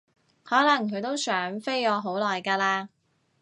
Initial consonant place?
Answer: glottal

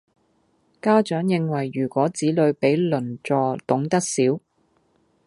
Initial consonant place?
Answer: velar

